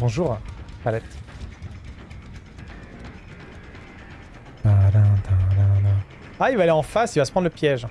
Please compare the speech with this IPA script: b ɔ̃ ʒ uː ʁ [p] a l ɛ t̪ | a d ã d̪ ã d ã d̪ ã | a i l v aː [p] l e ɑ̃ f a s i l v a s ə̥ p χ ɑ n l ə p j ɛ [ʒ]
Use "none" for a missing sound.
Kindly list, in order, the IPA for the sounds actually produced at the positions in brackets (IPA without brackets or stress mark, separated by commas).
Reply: p, none, ʒ